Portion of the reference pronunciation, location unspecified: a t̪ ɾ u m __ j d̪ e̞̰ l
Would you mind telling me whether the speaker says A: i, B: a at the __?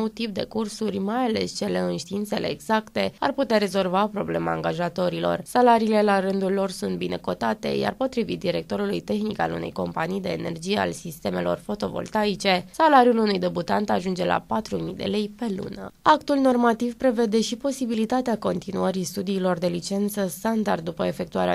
A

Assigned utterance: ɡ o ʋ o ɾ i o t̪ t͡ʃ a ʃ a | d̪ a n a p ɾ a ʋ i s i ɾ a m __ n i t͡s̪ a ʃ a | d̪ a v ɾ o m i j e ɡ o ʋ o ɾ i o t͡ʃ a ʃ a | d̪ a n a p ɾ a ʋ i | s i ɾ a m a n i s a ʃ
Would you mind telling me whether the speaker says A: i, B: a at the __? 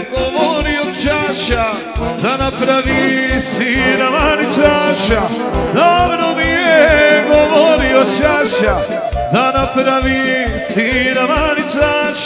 B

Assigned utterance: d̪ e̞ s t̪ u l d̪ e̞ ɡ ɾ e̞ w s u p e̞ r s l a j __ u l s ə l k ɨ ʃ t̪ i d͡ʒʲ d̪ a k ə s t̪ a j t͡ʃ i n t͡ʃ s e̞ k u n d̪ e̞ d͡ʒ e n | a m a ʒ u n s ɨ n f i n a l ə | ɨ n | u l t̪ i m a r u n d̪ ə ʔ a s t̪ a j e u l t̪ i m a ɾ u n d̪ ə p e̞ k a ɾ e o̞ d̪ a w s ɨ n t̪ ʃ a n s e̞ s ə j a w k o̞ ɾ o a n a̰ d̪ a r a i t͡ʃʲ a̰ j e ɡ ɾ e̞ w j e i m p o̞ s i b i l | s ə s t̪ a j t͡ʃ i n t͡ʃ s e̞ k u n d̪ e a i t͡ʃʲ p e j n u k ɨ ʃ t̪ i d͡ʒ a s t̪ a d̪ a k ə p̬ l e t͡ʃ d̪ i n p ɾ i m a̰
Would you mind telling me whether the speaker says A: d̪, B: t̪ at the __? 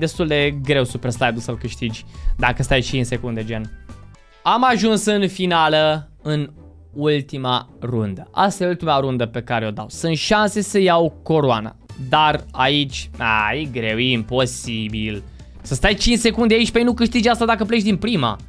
A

